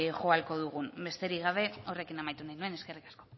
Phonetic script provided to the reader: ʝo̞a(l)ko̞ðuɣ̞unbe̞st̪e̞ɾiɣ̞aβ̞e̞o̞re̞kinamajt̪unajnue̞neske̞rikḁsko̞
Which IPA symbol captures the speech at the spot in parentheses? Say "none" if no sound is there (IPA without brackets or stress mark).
l